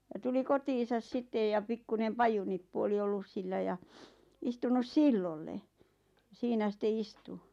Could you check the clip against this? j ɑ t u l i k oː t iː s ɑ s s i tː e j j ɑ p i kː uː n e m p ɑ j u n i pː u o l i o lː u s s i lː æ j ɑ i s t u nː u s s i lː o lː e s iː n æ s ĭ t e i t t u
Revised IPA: j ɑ t u l i k o t iː s ɑ s s i tː e j j ɑ p i kː u n e m p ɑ j u n i pː u o l i o lː u s s i lː æ j ɑ i s t u n u s s i lː o lː e s iː n æ s ĭ t e i s t u